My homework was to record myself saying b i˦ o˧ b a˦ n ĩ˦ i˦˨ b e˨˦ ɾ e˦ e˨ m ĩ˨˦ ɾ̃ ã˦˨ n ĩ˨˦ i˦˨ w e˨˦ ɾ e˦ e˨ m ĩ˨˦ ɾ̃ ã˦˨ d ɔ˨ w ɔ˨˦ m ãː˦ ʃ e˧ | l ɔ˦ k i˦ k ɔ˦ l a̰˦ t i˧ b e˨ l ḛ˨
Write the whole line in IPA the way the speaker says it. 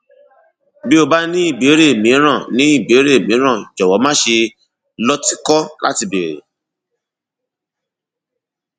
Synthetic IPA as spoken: b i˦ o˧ b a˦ n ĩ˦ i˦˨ b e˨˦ ɾ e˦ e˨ m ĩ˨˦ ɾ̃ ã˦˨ n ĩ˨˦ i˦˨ b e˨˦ ɾ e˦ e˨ m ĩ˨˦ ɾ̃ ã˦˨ d͡ʒ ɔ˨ w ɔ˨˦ m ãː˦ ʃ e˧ | l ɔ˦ t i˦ k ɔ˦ l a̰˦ t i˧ b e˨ ɾ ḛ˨